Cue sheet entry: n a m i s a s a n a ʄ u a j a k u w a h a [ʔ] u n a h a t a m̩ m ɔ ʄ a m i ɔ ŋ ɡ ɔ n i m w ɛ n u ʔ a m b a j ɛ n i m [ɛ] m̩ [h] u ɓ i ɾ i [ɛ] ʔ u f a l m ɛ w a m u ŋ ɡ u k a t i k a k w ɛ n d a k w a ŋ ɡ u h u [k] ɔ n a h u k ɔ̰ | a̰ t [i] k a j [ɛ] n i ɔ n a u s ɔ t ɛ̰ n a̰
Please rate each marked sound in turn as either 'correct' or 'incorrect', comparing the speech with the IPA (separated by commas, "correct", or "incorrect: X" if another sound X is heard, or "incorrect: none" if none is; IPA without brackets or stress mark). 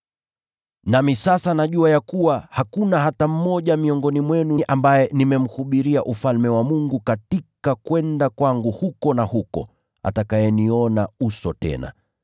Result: incorrect: k, correct, correct, incorrect: a, correct, incorrect: a, correct